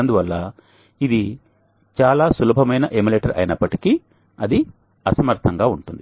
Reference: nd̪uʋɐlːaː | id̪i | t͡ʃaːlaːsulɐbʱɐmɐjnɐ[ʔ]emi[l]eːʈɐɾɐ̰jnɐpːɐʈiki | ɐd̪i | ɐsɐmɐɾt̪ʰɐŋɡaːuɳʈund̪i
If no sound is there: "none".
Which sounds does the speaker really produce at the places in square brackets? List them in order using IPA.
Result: ʔ, l

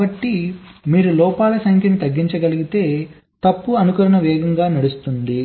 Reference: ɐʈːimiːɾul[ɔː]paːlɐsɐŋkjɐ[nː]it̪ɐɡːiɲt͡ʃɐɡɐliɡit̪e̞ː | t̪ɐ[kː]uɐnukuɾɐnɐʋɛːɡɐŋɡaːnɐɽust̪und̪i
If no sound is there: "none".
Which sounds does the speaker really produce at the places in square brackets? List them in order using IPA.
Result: ɔː, n, pː

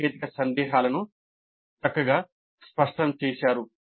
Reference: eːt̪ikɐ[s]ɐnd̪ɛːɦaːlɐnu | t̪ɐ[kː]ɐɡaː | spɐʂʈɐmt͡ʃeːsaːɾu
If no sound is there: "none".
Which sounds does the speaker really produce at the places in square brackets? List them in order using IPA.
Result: s, kː

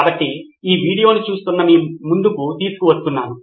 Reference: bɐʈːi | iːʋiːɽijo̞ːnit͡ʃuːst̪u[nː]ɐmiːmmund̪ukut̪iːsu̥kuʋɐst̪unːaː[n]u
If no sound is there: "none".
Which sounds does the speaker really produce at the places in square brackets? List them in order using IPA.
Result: nː, n

